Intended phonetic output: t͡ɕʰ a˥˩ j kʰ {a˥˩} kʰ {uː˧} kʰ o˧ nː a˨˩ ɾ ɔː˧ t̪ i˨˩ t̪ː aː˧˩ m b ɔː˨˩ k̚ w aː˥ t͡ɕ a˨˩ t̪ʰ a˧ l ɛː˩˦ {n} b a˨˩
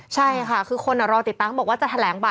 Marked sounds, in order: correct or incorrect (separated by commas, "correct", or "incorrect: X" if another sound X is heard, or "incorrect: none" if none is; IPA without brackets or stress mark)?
correct, incorrect: ɯː˧, incorrect: ŋ